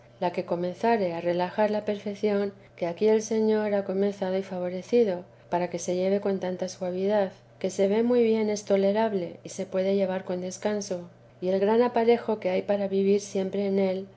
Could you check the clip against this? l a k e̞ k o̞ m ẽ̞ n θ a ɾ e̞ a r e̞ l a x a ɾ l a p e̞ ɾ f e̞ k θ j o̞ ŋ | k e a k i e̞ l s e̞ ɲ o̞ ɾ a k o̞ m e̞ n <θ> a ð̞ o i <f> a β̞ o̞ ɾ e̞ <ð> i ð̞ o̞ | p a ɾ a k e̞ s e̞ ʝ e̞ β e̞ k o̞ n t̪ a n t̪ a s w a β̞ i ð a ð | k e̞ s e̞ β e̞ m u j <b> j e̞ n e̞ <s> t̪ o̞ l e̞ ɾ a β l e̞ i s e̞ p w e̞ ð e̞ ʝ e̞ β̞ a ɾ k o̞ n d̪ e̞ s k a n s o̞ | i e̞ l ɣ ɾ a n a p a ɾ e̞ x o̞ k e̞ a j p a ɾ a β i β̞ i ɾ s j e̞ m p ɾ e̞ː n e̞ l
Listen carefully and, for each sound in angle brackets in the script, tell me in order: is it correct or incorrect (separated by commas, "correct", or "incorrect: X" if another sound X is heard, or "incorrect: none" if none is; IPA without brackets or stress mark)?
correct, correct, incorrect: θ, incorrect: β, correct